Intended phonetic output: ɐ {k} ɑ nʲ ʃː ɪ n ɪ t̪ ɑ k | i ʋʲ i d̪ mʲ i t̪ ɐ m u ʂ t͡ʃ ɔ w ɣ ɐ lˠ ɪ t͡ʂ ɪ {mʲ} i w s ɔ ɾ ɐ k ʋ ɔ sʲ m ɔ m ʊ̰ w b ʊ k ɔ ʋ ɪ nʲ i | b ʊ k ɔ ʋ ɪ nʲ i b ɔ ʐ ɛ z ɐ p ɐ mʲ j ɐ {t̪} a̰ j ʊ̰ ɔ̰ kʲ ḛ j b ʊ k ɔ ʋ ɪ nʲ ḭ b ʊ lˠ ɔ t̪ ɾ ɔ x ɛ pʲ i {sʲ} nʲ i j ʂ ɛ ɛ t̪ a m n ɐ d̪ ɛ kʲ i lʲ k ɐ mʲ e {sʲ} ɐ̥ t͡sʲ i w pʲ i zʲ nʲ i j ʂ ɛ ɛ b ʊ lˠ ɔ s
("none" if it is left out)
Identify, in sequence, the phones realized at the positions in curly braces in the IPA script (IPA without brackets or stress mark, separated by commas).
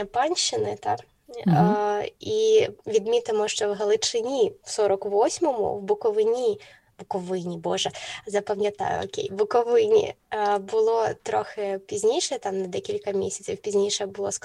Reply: p, nʲ, t̪, zʲ, sʲ